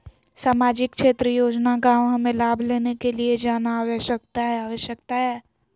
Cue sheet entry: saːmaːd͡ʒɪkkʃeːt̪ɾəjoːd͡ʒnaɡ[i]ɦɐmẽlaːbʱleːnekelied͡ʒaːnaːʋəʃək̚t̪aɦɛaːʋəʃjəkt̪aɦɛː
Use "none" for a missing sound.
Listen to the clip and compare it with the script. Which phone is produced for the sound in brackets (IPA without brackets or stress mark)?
a